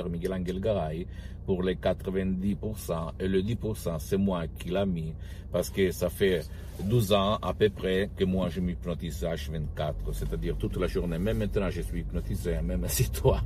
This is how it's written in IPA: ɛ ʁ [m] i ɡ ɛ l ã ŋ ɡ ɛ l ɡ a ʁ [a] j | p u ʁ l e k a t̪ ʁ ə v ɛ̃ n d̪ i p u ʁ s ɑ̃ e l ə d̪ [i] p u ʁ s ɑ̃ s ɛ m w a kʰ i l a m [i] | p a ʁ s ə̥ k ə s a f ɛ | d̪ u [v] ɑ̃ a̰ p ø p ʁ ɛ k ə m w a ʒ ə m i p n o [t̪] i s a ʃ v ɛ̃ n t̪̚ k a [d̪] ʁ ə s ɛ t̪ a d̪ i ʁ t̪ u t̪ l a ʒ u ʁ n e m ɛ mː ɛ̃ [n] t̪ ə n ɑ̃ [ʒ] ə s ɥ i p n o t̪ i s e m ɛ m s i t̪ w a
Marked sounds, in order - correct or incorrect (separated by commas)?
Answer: correct, correct, correct, correct, incorrect, correct, incorrect, correct, correct